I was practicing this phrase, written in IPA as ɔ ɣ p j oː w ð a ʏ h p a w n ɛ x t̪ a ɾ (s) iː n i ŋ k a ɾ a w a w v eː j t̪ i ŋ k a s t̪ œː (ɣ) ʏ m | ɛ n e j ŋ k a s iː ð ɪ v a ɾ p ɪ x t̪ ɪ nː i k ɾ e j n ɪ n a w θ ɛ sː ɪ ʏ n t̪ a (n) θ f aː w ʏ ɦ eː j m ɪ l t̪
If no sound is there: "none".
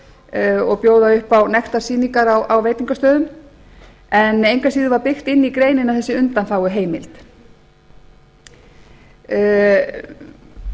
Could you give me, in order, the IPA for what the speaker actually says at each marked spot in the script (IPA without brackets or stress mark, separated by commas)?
s, ð, n